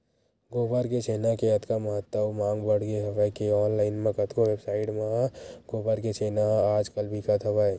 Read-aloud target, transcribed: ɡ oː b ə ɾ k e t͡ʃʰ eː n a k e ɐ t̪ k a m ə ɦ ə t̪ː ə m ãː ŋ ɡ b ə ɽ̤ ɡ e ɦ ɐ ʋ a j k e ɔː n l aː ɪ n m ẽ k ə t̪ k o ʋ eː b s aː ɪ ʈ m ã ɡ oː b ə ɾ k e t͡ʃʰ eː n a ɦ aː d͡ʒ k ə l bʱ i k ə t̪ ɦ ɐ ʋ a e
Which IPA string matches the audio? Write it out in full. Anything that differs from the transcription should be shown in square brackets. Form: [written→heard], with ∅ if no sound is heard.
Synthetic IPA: ɡ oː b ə ɾ k e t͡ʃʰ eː n a k e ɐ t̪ k a m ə ɦ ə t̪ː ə m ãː ŋ ɡ b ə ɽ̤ ɡ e ɦ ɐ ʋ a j k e ɔː n l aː ɪ n m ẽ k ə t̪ k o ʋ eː b s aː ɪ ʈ m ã ɡ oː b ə ɾ k e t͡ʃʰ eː n a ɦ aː d͡ʒ k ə l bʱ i k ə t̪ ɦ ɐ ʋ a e